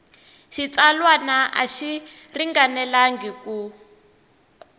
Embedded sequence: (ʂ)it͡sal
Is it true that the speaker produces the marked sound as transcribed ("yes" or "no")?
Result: no